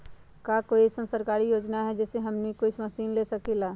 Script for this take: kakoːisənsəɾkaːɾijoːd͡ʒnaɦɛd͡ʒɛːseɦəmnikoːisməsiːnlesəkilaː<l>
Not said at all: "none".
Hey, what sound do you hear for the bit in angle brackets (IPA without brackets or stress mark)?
none